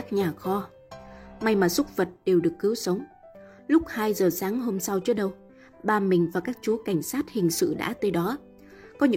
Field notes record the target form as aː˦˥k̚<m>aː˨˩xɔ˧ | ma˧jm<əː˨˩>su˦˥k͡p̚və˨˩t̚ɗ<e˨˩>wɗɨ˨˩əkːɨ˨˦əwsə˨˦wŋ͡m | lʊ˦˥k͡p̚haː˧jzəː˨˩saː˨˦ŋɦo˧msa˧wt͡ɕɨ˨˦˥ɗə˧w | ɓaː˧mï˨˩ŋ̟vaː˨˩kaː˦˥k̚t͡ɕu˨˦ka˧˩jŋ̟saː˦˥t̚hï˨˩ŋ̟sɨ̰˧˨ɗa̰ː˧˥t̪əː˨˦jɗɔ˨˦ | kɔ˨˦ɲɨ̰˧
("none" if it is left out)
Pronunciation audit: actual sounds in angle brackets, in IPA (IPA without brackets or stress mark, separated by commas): ɲ, aː˨˩, e˨˩